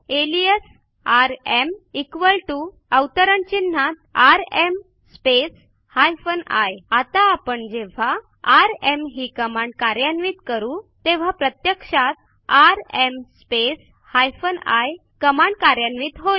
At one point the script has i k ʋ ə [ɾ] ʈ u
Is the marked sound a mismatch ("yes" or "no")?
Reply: yes